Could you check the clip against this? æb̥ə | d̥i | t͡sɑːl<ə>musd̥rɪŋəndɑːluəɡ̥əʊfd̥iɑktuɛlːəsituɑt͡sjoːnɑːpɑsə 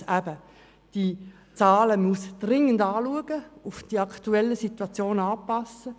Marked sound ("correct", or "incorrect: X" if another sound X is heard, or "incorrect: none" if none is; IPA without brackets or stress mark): correct